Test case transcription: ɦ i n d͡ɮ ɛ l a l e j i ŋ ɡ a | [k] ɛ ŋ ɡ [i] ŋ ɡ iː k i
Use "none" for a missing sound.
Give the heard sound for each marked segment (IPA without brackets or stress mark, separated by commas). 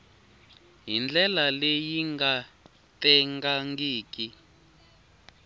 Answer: t, a